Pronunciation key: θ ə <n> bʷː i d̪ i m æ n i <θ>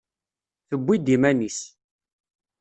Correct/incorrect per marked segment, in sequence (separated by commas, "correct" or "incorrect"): incorrect, incorrect